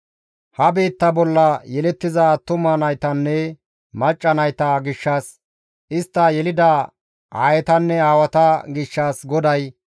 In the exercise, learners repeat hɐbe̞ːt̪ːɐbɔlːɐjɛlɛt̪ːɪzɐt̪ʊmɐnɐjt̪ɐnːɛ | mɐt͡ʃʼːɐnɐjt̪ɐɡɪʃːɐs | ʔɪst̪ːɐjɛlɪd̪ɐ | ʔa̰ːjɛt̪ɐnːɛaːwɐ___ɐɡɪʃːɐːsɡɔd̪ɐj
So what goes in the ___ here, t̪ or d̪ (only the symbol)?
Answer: t̪